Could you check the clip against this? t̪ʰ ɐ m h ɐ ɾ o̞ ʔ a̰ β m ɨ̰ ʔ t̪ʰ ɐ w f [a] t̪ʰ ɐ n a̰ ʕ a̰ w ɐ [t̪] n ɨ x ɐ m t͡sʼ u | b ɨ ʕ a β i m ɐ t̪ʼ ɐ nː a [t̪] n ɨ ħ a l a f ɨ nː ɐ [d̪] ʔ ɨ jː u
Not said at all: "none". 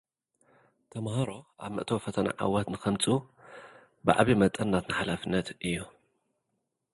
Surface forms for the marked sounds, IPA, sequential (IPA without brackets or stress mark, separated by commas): ɐ, t̪, t̪, t̪